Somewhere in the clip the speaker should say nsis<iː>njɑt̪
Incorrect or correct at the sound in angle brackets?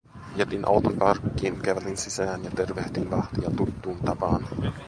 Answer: incorrect: æː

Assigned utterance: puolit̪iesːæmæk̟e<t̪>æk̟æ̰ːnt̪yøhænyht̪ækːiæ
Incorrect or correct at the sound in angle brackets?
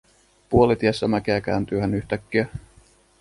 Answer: incorrect: none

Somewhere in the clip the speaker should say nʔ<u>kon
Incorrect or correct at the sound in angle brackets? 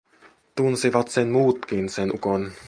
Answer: correct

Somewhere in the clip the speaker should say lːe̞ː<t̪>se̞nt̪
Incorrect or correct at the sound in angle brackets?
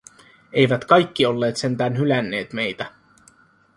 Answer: correct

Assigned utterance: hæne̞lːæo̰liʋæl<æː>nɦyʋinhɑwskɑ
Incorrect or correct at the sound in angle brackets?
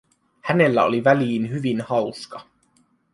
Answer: incorrect: iː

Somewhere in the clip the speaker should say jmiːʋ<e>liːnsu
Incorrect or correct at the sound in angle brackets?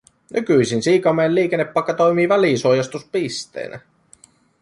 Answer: incorrect: æ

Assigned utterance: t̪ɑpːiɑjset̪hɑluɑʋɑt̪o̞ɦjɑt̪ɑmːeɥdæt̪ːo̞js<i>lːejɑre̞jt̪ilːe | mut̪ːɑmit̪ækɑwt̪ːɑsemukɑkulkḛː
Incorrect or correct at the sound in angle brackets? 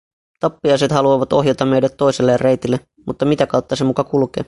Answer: incorrect: e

